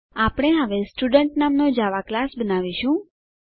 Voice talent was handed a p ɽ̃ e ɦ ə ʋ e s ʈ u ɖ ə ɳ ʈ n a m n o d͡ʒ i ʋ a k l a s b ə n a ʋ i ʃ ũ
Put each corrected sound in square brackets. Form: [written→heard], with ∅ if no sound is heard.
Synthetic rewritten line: a p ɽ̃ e ɦ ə ʋ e s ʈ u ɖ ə ɳ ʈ n a m n o d͡ʒ [i→a] ʋ a k l a s b ə n a ʋ i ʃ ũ

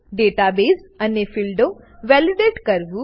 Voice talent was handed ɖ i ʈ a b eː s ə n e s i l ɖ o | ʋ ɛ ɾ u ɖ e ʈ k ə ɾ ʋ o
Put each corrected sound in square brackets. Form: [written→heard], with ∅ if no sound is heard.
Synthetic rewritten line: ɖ [i→e] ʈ a b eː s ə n e [s→f] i l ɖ o | ʋ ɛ [ɾ→l] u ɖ e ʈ k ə ɾ ʋ [o→u]

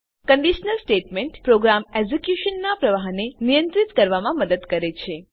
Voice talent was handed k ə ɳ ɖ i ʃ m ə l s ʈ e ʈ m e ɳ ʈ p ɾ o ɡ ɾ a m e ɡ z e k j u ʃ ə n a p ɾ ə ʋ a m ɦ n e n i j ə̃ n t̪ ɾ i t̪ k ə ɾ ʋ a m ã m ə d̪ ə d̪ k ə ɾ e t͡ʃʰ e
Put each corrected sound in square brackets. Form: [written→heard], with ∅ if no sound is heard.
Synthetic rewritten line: k ə ɳ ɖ i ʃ [m→n] ə l s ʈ e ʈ m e ɳ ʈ p ɾ o ɡ ɾ a m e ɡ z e k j u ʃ ə [n→nː] a p ɾ ə ʋ a [m→∅] ɦ n e n i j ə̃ n t̪ ɾ i t̪ k ə ɾ ʋ a m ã m ə d̪ ə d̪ k ə ɾ e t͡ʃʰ e

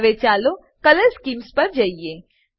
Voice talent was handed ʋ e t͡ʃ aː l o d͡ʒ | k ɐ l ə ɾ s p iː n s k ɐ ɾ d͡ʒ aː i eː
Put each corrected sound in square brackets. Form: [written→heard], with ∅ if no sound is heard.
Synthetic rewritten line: ʋ e t͡ʃ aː l o [d͡ʒ→∅] | k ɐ l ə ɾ s [p→k] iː [n→m] s [k→p] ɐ ɾ d͡ʒ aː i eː

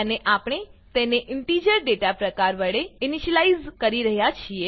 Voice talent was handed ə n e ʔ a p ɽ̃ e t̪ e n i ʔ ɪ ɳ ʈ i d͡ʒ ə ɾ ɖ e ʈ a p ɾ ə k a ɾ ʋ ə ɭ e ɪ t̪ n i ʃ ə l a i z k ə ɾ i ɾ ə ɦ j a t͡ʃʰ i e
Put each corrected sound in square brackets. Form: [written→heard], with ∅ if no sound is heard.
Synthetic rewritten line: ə n e ʔ a p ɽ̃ e t̪ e n [i→e] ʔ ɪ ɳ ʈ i d͡ʒ ə ɾ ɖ e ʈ a p ɾ ə k a ɾ ʋ ə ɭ e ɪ [t̪→∅] n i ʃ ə l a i z k ə ɾ i ɾ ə ɦ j a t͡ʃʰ i e

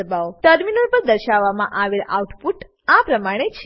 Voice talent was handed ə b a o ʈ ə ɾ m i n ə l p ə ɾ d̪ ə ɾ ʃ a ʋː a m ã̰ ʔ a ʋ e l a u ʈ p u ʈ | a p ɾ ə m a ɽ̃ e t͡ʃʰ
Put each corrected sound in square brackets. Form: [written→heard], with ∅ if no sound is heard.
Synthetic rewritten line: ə b a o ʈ ə ɾ m i n ə l p ə ɾ d̪ ə ɾ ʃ a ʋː a m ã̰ ʔ a ʋ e l a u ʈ p u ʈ | a p ɾ ə m a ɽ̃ e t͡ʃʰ

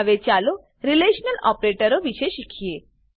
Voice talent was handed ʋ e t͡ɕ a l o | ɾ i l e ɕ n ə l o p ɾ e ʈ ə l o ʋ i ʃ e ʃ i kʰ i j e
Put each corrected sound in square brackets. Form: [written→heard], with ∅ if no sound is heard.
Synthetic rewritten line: ʋ e t͡ɕ a l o | ɾ i l e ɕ n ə l [o→ɔ] p ɾ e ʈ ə [l→ɾ] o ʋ i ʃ e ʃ i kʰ i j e

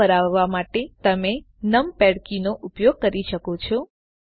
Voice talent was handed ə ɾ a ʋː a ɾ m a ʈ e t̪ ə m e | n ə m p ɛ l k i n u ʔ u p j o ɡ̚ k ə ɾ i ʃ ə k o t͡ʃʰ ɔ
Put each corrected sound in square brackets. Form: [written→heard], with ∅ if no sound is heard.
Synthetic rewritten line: ə ɾ a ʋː a [ɾ→∅] m a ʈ e t̪ ə m e | n ə m p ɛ [l→ɽ] k i n [u→o] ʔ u p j o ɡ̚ k ə ɾ i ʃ ə k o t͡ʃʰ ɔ

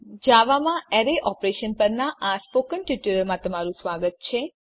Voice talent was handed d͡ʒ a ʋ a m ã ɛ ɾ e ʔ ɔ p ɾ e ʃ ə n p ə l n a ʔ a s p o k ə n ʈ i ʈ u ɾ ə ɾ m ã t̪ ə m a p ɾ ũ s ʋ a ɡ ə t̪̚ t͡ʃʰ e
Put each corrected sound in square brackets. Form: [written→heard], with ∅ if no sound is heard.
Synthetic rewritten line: d͡ʒ a ʋ a m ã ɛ ɾ e ʔ ɔ p ɾ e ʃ ə n p ə [l→ɾ] n a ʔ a s p o k ə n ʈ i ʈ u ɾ ə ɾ m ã t̪ ə m a [p→∅] ɾ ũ s ʋ a ɡ ə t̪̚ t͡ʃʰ e

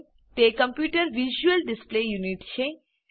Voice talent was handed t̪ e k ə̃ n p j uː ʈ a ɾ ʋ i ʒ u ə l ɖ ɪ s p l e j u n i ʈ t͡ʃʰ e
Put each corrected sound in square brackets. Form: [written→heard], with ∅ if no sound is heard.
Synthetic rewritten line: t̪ e k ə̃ [n→m] p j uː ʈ [a→ə] ɾ ʋ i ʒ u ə l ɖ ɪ s p l e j u n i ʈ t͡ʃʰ e

